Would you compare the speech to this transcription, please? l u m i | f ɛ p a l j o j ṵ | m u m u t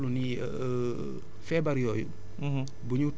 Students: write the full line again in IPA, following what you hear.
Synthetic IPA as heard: l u n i | f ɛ b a ɾ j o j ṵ | b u ɲ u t